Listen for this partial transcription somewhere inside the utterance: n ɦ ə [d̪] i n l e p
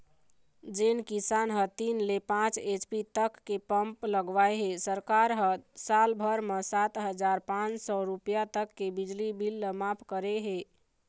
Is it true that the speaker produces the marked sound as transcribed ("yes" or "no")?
no